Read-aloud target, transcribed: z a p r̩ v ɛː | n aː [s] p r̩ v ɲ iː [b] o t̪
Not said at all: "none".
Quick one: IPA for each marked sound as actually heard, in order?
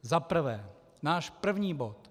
ʃ, b

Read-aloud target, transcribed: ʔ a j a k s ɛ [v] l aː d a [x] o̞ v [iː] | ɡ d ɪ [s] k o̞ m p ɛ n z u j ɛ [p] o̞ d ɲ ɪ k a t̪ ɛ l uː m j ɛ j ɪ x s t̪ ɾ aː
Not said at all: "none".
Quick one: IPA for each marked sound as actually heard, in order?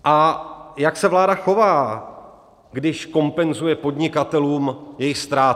v, x, aː, ʃ, p

